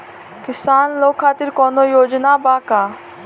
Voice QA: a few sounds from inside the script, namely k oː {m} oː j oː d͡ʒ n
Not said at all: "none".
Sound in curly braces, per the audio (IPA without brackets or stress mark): n